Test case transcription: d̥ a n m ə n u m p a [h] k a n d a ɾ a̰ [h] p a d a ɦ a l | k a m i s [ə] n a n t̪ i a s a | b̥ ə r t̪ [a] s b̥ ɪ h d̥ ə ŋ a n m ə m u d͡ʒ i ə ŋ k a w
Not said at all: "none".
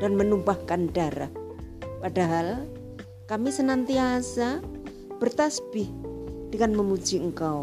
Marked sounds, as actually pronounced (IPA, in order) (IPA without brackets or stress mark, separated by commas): h, h, ə, a